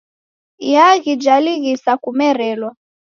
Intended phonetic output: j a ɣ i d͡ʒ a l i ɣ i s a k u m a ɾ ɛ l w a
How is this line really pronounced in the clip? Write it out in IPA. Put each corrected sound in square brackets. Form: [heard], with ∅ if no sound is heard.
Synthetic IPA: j a ɣ i d͡ʒ a l i ɣ i s a k u m [ɛ] ɾ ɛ l w a